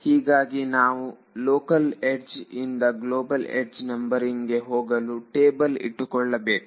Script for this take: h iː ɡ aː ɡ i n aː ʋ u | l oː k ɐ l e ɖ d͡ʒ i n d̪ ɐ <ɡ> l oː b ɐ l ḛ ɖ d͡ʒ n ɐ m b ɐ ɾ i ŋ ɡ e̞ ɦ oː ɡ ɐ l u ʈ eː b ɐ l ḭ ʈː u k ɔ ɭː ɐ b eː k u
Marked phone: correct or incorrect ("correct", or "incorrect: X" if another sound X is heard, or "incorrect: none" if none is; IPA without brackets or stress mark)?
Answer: correct